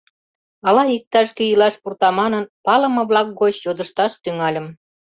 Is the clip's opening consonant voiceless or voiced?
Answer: voiced